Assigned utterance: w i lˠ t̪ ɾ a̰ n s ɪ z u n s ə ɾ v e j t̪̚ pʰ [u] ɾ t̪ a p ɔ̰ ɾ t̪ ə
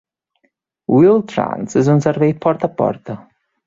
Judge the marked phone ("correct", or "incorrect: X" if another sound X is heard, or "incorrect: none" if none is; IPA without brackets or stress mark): incorrect: ɔ